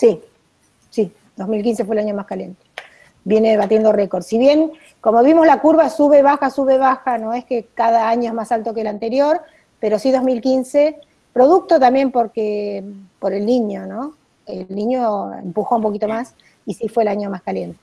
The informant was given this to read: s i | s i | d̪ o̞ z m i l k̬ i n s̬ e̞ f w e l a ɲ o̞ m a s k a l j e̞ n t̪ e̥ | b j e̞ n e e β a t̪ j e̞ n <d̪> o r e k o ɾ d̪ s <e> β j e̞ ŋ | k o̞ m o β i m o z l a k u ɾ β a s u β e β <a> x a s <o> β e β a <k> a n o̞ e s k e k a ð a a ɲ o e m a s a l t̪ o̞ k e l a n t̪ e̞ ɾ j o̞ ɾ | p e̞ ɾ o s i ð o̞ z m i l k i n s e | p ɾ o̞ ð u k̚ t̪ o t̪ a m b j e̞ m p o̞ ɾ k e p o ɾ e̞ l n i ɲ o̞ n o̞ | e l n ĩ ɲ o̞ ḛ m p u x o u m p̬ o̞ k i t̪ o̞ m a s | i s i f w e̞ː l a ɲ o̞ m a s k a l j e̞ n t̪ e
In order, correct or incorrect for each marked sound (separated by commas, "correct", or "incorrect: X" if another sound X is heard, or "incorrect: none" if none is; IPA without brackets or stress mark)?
correct, incorrect: i, correct, incorrect: u, incorrect: x